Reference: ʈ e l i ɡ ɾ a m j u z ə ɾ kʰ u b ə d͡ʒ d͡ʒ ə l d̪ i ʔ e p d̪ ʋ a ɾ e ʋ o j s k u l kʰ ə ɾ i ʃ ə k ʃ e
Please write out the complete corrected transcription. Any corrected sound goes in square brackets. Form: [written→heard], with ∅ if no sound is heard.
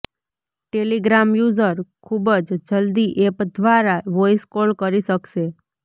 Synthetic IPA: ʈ e l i ɡ ɾ a m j u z ə ɾ kʰ u b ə d͡ʒ d͡ʒ ə l d̪ i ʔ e p d̪ ʋ a ɾ [e→a] ʋ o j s k [u→o] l [kʰ→k] ə ɾ i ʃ ə k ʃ e